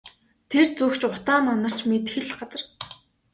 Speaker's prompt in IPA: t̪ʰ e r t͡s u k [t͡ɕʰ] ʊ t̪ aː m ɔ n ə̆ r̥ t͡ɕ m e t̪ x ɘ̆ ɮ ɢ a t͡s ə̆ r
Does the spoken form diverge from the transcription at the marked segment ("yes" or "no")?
yes